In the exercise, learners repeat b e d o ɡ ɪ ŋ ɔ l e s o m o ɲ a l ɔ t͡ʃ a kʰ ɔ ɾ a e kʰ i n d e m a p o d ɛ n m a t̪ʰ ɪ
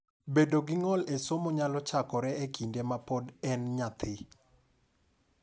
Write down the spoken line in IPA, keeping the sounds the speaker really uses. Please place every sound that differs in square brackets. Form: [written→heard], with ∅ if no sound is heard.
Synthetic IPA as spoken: b e d o ɡ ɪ ŋ ɔ l e s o m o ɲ a l ɔ t͡ʃ a [kʰ→k] ɔ ɾ [a→ɛ] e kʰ i n d e m a p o d ɛ n [m→ɲ] a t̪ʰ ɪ